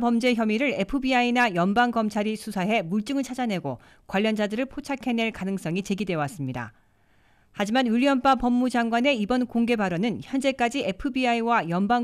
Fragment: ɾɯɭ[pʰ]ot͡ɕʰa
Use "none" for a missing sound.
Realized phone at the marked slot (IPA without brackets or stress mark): pʰ